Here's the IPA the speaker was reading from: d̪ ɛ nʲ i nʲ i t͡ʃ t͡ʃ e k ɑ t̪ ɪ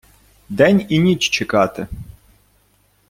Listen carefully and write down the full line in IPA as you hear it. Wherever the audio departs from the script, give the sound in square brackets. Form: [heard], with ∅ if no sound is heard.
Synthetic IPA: d̪ ɛ nʲ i nʲ i t͡ʃ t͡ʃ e k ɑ t̪ ɪ